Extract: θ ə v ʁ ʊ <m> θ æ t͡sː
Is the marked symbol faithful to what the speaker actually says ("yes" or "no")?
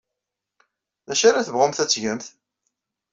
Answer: yes